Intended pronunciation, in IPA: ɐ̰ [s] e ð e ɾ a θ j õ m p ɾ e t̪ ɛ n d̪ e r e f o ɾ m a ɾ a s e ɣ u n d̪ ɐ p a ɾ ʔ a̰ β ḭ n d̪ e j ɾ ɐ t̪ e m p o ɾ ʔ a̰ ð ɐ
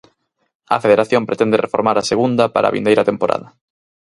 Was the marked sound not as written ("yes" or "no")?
yes